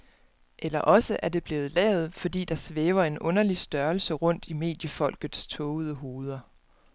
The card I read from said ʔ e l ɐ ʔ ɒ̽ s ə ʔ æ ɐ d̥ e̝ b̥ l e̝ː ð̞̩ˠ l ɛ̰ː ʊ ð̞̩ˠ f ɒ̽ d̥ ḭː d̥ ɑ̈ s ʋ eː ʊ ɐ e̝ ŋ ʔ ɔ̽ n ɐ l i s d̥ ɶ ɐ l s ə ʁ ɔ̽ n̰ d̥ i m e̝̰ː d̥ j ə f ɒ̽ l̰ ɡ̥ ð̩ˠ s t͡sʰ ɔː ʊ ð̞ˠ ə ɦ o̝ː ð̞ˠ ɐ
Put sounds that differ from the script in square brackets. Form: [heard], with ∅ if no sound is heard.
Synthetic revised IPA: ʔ e l ɐ ʔ ɒ̽ s ə ʔ æ ɐ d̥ e̝ b̥ l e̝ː ð̞̩ˠ l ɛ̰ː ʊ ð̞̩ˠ f ɒ̽ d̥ ḭː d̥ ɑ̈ s ʋ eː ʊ ɐ e̝ [n] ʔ ɔ̽ n ɐ l i s d̥ ɶ ɐ l s ə ʁ ɔ̽ n̰ d̥ i m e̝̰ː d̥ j ə f ɒ̽ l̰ ɡ̥ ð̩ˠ s t͡sʰ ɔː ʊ ð̞ˠ ə ɦ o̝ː ð̞ˠ ɐ

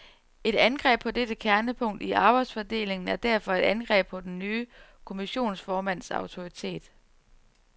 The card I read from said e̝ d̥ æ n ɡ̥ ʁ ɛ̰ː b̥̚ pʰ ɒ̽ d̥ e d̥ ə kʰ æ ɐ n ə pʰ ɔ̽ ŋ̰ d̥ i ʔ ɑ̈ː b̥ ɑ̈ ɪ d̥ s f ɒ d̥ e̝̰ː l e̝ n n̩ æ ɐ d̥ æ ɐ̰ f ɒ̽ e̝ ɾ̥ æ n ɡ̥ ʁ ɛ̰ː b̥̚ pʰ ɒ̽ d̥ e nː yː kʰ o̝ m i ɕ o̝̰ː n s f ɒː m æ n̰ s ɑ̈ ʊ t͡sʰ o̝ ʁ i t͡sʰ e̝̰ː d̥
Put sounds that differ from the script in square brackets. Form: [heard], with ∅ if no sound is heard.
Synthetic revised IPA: e̝ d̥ æ n ɡ̥ ʁ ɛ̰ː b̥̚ pʰ ɒ̽ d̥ e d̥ ə kʰ æ ɐ n ə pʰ ɔ̽ ŋ̰ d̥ i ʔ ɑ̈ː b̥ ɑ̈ ɪ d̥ s f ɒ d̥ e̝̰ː l e̝ [ŋ] n̩ æ ɐ d̥ æ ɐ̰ f ɒ̽ e̝ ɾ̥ æ n ɡ̥ ʁ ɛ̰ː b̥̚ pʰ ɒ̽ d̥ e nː yː kʰ o̝ m i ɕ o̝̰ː n s f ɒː m æ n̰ s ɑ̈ ʊ t͡sʰ o̝ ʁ i t͡sʰ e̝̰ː d̥

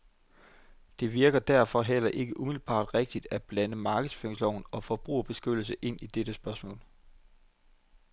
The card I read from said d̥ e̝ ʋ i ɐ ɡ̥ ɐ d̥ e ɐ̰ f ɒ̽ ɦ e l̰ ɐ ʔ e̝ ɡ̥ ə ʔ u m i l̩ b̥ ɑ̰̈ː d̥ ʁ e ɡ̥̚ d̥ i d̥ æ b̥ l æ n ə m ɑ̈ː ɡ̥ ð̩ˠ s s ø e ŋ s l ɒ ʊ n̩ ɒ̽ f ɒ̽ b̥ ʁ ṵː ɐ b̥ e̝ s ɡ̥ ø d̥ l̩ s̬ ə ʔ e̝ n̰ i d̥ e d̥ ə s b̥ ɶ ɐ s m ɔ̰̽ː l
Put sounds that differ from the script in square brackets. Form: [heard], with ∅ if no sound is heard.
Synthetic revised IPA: d̥ e̝ ʋ i ɐ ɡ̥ ɐ d̥ [æ] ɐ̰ f ɒ̽ ɦ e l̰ ɐ ʔ e̝ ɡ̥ ə ʔ u m i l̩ b̥ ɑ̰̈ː d̥ ʁ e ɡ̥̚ d̥ i d̥ æ b̥ l æ n ə m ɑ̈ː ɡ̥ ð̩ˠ s [f] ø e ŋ s l ɒ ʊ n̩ ɒ̽ f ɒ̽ b̥ ʁ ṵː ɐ b̥ e̝ s ɡ̥ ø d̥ l̩ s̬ ə ʔ e̝ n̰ i d̥ e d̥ ə s b̥ ɶ ɐ s m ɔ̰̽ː l

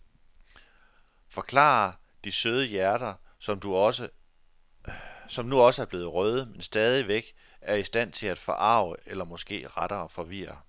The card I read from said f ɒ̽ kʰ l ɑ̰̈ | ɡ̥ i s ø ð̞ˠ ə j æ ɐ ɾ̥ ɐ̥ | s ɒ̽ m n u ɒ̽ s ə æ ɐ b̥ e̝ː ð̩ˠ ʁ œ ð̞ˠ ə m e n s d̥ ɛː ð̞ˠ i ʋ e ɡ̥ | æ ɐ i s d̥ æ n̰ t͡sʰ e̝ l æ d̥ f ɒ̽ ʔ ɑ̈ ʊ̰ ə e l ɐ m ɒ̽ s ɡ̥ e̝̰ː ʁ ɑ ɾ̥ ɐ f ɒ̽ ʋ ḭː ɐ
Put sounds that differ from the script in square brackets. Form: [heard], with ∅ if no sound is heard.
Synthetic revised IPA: f ɒ̽ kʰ l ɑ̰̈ | [d̥] i s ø ð̞ˠ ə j æ ɐ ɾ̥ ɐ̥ | s ɒ̽ m n u ɒ̽ s ə æ ɐ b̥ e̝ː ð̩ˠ ʁ œ ð̞ˠ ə m e n s d̥ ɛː ð̞ˠ i ʋ e ɡ̥ | æ ɐ i s d̥ æ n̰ t͡sʰ e̝ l æ d̥ f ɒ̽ ʔ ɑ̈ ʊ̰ ə e l ɐ m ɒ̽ s ɡ̥ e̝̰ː ʁ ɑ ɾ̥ ɐ f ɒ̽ ʋ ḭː ɐ

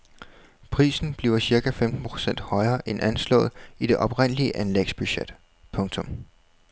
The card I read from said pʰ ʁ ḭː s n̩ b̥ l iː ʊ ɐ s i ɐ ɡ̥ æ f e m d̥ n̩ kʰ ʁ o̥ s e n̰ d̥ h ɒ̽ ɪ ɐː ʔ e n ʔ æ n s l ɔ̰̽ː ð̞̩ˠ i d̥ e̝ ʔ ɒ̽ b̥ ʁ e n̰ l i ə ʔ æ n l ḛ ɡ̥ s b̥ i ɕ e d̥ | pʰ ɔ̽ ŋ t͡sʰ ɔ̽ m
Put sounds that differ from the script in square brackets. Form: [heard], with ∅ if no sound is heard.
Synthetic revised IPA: pʰ ʁ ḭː s n̩ b̥ l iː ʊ ɐ s i ɐ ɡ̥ æ f e m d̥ n̩ [pʰ] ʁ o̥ s e n̰ d̥ h ɒ̽ ɪ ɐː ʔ e n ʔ æ n s l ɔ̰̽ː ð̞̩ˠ i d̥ e̝ ʔ ɒ̽ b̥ ʁ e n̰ l i ə ʔ æ n l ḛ ɡ̥ s b̥ [y] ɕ e d̥ | pʰ ɔ̽ ŋ t͡sʰ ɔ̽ m

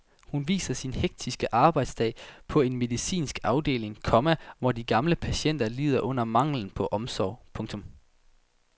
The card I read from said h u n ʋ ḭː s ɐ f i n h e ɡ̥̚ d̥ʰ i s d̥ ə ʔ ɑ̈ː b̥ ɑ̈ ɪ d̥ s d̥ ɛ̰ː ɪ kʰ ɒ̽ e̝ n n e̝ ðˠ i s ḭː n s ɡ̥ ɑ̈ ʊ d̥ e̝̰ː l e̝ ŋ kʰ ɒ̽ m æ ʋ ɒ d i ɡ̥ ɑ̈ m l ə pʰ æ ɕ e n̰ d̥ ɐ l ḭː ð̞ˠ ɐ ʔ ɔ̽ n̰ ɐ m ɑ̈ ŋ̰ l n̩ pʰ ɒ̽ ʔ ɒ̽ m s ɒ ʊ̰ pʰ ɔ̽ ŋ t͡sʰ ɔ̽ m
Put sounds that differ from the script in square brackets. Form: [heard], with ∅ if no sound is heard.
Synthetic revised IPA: h u n ʋ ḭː s ɐ [s] i n h e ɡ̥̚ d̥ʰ i s [ɡ̥] ə ʔ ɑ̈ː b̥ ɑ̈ ɪ d̥ s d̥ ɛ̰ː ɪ [pʰ] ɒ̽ e̝ n [m] e̝ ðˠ i s ḭː n s ɡ̥ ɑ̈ ʊ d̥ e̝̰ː l e̝ ŋ kʰ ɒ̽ m æ ʋ ɒ d i ɡ̥ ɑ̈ m l ə pʰ æ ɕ e n̰ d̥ ɐ l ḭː ð̞ˠ ɐ ʔ ɔ̽ n̰ ɐ m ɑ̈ ŋ̰ l n̩ pʰ ɒ̽ ʔ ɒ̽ m s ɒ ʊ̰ pʰ ɔ̽ ŋ t͡sʰ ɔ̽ m

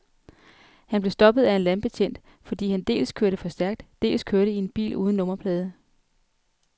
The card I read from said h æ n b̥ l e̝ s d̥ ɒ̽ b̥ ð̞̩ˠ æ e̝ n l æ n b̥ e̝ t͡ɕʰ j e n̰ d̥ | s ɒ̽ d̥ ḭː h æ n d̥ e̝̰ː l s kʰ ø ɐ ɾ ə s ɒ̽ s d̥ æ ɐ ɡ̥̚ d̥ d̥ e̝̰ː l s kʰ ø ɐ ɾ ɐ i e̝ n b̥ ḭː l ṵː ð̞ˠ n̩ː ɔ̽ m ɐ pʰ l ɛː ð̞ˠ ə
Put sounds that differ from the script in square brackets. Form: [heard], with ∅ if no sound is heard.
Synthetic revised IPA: h æ n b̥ l e̝ s d̥ ɒ̽ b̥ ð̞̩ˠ æ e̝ n l æ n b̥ e̝ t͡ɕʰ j e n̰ d̥ | [f] ɒ̽ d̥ ḭː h æ n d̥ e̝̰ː l s kʰ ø ɐ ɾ ə [f] ɒ̽ s d̥ æ ɐ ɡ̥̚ d̥ d̥ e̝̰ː l s kʰ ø ɐ ɾ [ə] i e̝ n b̥ ḭː l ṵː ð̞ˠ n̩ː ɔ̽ m ɐ pʰ l ɛː ð̞ˠ ə

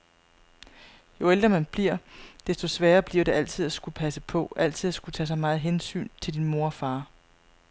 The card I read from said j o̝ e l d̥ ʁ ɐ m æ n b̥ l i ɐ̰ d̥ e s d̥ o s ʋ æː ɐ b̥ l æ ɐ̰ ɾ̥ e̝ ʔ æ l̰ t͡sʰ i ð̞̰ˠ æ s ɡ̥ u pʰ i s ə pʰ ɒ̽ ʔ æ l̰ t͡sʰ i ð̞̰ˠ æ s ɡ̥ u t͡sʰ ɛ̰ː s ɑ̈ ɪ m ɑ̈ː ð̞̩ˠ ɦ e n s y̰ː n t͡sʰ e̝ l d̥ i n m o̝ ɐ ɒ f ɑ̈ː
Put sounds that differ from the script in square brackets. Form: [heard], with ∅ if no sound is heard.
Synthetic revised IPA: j o̝ e l d̥ ʁ ɐ m æ n b̥ l i ɐ̰ d̥ e s d̥ o s ʋ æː ɐ b̥ l [i] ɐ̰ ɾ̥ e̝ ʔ æ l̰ t͡sʰ i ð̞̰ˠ æ s ɡ̥ u pʰ [æ] s ə pʰ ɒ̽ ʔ æ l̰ t͡sʰ i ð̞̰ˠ æ s ɡ̥ u t͡sʰ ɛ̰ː s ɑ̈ ɪ m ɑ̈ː ð̞̩ˠ ɦ e n s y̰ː n t͡sʰ e̝ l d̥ i n m o̝ ɐ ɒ f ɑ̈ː

